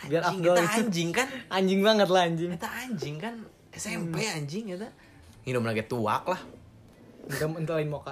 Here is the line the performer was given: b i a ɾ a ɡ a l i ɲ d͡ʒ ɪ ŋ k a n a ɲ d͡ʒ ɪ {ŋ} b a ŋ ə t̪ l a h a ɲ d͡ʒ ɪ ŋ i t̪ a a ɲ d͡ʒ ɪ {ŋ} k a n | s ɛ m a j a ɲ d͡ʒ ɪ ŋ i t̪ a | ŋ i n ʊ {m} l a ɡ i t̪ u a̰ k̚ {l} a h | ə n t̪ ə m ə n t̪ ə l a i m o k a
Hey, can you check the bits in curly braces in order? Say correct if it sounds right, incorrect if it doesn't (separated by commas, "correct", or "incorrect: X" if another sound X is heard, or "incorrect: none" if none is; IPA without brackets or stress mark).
correct, correct, correct, correct